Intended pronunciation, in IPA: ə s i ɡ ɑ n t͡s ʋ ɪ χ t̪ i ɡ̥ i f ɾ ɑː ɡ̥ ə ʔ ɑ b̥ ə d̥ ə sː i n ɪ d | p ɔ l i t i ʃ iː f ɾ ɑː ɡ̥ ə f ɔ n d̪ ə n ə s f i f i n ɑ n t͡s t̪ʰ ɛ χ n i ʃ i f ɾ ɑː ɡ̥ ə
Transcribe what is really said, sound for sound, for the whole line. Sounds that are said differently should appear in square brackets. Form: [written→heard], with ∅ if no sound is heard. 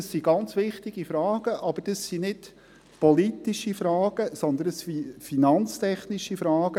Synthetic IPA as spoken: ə s i ɡ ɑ n t͡s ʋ ɪ χ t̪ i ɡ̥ i f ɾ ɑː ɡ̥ ə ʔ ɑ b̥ ə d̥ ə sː i n ɪ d | p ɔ l i t i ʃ [iː→i] f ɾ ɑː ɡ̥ ə [f→s] ɔ n d̪ ə n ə s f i f i n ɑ n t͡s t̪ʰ ɛ χ n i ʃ i f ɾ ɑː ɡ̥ ə

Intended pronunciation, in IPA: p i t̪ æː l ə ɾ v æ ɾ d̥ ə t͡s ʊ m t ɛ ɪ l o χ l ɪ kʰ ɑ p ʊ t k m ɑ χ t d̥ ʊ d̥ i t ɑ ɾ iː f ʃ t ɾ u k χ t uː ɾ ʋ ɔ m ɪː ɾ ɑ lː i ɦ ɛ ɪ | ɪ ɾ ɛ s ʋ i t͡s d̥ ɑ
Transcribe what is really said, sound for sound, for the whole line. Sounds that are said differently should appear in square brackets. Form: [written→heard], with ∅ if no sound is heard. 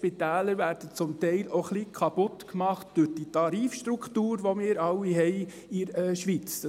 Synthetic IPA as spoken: p i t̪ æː l ə ɾ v æ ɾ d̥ ə t͡s ʊ m t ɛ ɪ l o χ l [ɪ→i] kʰ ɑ p ʊ t k m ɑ χ t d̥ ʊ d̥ i t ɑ ɾ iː f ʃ t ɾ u k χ t uː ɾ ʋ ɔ m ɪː ɾ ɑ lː i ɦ ɛ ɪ | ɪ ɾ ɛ [s→ʃ] ʋ i t͡s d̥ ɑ

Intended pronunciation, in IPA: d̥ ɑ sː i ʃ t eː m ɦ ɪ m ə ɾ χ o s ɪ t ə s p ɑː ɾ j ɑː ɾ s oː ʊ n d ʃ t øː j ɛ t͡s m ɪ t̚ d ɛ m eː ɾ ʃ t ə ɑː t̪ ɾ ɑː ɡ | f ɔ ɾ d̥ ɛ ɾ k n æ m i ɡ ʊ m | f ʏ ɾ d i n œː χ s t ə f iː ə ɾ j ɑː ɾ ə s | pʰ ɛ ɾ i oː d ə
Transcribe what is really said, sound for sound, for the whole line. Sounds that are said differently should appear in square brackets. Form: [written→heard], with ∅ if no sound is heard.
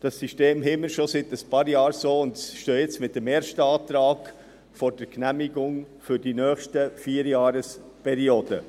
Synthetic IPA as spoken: d̥ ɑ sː i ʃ t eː m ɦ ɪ m ə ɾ [χ→ʃ] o s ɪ t ə s p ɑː ɾ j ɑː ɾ s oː ʊ n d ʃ t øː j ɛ t͡s m ɪ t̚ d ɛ m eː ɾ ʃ t ə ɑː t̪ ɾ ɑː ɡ | f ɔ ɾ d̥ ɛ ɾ k n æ m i ɡ ʊ [m→ŋ] | f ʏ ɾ d i n œː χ [s→ʃ] t ə f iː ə ɾ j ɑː ɾ ə s | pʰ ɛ ɾ i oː d ə

